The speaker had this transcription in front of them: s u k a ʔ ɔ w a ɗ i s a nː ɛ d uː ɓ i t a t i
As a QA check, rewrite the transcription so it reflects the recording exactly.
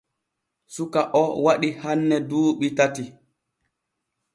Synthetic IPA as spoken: s u k a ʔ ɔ w a ɗ i h a nː ɛ d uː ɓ i t a t i